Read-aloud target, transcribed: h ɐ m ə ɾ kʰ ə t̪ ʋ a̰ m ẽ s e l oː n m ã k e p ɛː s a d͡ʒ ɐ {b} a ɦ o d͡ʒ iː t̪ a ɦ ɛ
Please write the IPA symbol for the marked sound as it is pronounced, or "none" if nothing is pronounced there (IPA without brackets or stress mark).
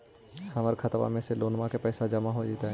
m